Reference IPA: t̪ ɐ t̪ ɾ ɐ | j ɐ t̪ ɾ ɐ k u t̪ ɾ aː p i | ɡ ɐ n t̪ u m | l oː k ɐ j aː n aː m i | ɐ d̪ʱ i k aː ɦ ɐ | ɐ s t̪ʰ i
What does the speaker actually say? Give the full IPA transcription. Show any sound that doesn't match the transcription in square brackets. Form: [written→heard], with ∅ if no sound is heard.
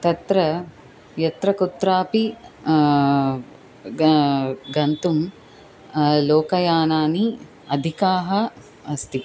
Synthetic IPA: t̪ ɐ t̪ ɾ ɐ | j ɐ t̪ ɾ ɐ k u t̪ ɾ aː p i | ɡ ɐ n t̪ u m | l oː k ɐ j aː n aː [m→n] i | ɐ d̪ʱ i k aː ɦ ɐ | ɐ s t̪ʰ i